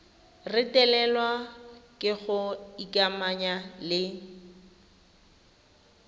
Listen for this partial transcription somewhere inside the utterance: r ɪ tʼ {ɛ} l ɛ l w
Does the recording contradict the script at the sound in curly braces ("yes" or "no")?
no